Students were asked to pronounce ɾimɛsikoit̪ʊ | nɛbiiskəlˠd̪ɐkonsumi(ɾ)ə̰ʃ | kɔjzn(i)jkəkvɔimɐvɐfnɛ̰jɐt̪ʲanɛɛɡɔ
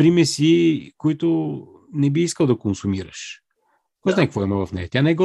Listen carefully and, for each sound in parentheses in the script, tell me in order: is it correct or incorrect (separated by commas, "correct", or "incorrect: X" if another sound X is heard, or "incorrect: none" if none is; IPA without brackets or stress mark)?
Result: correct, incorrect: a